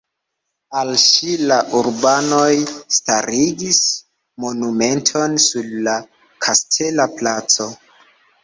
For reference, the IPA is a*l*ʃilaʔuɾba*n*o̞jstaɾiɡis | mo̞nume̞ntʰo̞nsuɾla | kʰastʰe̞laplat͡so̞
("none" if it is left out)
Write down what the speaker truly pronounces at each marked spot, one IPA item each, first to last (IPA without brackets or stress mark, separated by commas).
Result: l, n